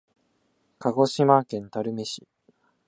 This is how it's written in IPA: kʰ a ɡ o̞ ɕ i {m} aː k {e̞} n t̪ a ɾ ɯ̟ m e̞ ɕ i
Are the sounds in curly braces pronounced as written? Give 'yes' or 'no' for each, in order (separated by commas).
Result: yes, no